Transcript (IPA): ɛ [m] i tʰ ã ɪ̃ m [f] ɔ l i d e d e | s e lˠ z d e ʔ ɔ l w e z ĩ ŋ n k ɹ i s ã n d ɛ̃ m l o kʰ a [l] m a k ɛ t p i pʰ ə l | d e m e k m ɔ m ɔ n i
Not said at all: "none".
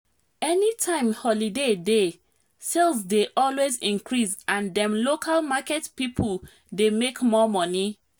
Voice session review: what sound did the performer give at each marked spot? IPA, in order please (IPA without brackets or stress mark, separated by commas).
n, h, l